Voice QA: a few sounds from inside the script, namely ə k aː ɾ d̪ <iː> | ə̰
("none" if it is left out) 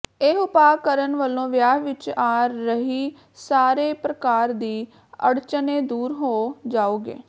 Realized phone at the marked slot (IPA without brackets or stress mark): iː